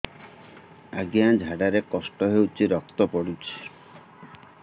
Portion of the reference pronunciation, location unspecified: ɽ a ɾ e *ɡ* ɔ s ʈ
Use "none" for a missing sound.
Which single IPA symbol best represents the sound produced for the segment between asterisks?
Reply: k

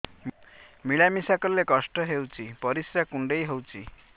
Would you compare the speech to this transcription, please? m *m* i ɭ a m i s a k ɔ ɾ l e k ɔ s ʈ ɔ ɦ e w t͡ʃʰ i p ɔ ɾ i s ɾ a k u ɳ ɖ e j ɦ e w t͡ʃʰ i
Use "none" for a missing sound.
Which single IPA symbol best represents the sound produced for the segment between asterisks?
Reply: m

